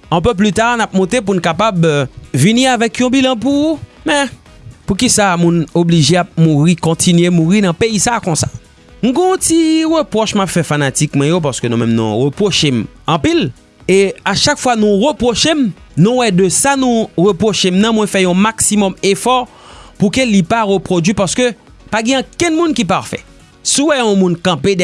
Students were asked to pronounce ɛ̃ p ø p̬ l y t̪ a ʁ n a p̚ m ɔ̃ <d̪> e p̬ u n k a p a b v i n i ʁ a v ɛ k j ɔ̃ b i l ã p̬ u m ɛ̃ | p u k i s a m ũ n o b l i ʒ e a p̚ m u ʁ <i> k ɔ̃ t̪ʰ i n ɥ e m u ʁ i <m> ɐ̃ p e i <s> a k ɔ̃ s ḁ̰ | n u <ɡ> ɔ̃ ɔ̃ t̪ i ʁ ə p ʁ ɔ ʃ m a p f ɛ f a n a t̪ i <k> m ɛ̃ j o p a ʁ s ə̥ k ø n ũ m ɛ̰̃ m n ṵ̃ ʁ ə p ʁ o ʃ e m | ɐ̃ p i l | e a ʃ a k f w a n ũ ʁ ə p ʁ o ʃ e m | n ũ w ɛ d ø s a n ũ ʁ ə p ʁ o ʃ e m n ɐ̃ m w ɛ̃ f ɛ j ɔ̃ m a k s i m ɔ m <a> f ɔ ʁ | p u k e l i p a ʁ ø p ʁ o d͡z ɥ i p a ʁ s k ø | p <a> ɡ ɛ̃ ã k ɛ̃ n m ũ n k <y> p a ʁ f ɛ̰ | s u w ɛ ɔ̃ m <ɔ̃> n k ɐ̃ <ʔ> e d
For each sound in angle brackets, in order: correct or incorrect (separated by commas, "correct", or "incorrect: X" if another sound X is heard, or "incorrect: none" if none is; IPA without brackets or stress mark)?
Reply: incorrect: t̪, correct, incorrect: n, correct, correct, correct, incorrect: e, correct, incorrect: i, incorrect: ũ, incorrect: p